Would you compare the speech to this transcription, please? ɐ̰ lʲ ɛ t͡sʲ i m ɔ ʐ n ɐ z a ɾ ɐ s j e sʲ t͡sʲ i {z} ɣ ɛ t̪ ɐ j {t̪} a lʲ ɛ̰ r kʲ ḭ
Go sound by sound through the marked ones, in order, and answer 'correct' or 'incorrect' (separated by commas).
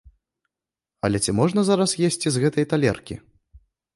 correct, correct